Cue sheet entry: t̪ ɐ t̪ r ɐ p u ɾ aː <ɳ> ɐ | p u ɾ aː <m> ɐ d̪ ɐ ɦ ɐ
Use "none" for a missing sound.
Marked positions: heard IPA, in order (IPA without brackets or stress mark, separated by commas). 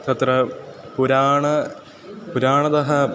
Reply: ɳ, ɳ